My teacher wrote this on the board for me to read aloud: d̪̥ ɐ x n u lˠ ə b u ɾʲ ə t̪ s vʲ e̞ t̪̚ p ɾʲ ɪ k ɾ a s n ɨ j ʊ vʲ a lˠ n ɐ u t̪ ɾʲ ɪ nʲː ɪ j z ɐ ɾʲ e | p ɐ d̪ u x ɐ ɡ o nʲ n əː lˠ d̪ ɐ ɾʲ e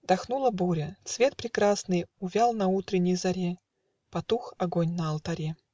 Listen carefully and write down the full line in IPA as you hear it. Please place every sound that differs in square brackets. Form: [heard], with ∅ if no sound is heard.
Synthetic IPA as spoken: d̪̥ ɐ x n u lˠ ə b u ɾʲ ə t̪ s vʲ e̞ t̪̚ p ɾʲ ɪ k ɾ a s n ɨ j ʊ vʲ a lˠ n ɐ u t̪ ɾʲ ɪ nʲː ɪ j z ɐ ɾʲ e | p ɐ [t̪] u x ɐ ɡ o nʲ n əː lˠ [t̪] ɐ ɾʲ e